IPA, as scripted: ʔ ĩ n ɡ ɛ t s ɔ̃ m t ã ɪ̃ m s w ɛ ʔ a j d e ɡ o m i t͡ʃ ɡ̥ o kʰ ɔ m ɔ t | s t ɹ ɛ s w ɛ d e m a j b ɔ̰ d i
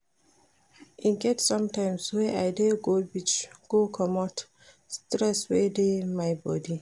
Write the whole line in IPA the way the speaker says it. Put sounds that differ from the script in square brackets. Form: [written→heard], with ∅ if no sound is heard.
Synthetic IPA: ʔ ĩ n ɡ ɛ t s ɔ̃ m t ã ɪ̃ m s w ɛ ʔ a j d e ɡ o [m→b] i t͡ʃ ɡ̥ o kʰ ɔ m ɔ t | s t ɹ ɛ s w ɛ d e m a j b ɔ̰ d i